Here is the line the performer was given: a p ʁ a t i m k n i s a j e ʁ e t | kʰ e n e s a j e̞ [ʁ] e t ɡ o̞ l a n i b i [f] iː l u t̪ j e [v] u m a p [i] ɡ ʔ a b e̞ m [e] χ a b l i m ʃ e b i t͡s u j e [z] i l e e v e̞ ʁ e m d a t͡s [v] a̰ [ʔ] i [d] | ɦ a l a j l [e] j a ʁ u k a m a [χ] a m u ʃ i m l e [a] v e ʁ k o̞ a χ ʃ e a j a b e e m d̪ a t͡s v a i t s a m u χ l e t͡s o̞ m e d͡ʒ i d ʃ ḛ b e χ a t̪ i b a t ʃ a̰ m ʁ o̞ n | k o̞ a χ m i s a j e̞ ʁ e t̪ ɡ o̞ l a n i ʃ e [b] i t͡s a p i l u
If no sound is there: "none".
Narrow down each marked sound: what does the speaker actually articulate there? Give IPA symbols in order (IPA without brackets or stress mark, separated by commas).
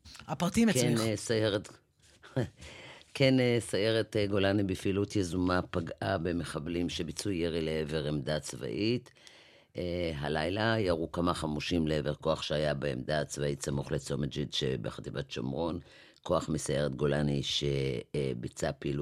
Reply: ʁ, f, z, a, e, ʁ, v, ʔ, t, a, χ, e, b